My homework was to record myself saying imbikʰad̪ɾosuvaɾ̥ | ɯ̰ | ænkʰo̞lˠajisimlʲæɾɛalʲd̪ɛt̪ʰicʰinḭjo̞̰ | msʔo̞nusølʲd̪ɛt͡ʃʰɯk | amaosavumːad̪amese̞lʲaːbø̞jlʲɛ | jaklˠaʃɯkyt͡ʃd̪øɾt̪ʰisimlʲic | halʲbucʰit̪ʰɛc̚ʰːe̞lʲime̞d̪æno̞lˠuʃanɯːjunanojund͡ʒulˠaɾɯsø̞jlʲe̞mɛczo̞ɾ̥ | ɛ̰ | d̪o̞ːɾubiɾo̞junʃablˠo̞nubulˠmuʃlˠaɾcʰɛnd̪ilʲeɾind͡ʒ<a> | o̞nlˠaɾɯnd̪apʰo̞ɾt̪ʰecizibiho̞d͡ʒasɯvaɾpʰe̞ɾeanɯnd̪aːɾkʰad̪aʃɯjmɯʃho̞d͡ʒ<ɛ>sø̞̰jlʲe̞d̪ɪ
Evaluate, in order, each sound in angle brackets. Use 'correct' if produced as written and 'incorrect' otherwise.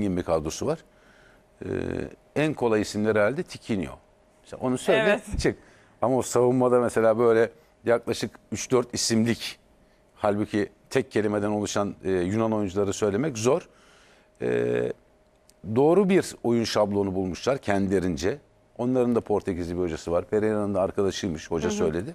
incorrect: ɛ, incorrect: a

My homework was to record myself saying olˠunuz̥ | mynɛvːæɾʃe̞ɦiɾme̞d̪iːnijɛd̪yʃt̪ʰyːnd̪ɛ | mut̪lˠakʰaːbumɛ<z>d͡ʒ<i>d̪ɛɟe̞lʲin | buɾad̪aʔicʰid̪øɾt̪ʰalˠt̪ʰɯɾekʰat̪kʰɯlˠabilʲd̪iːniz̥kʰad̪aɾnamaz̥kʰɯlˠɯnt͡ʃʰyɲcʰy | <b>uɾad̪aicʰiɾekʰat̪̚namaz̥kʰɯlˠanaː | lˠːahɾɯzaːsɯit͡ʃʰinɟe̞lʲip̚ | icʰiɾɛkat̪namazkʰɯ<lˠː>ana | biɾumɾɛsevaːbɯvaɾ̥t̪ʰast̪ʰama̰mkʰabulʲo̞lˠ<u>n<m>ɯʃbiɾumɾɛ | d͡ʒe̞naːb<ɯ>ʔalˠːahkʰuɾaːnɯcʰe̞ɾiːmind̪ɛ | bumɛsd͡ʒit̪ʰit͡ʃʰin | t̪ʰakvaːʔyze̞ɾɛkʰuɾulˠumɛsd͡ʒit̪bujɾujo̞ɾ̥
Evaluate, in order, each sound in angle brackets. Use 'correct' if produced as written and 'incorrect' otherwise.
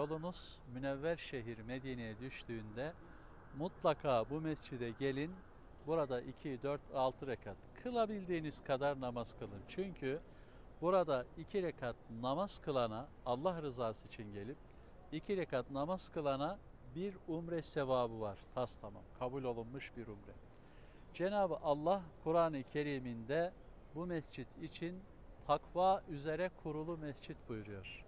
incorrect: s, correct, correct, incorrect: lˠ, correct, correct, correct

